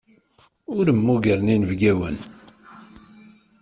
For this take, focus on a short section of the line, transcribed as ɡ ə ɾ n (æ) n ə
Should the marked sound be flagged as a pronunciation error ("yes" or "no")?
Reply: yes